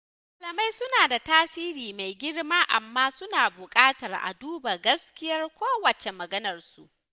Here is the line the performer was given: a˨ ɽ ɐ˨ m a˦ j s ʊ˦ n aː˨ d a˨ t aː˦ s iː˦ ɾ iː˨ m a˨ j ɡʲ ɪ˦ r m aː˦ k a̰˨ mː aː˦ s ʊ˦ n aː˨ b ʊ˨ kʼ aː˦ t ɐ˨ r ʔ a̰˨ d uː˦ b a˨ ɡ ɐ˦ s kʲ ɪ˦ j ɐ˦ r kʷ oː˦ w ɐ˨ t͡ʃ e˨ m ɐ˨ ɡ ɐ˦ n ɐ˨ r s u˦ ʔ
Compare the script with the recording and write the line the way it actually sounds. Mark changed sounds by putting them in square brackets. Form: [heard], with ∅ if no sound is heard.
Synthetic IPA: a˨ [l] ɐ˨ m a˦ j s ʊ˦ n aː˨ d a˨ t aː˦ s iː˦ ɾ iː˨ m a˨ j ɡʲ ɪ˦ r m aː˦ [ʔ] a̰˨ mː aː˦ s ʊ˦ n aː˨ b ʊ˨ kʼ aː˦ t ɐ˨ r ʔ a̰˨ d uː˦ b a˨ ɡ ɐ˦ s kʲ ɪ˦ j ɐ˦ r kʷ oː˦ w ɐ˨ t͡ʃ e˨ m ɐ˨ ɡ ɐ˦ n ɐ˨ r s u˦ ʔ